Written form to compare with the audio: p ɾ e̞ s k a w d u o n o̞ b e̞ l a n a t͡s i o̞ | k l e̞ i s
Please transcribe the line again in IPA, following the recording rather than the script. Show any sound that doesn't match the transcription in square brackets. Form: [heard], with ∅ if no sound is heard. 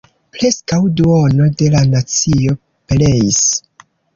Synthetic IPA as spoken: p ɾ e̞ s k a w d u o n o̞ [d] e̞ l a n a t͡s i o̞ | [p] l e̞ i s